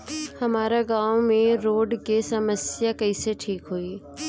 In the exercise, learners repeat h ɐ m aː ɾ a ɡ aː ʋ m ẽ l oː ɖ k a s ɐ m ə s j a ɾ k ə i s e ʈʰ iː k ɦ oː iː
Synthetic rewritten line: h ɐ m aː ɾ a ɡ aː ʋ m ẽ ɾ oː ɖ k e s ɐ m ə s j a k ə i s e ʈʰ iː k ɦ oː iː